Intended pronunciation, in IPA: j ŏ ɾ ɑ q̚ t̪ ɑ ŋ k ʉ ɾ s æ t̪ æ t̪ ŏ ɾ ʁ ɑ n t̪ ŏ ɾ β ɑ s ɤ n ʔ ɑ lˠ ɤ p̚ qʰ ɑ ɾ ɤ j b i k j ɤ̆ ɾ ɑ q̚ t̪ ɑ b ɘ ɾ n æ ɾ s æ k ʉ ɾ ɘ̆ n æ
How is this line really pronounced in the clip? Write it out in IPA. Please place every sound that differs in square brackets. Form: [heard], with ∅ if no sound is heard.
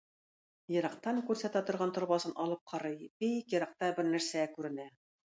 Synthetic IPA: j [ɤ̆] ɾ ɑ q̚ t̪ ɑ ŋ k ʉ ɾ s æ t̪ æ t̪ ŏ ɾ ʁ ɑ n t̪ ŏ ɾ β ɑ s ɤ n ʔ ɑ lˠ ɤ p̚ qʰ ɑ ɾ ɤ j b i k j ɤ̆ ɾ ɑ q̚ t̪ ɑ b ɘ ɾ n æ ɾ s æ k ʉ ɾ ɘ̆ n æ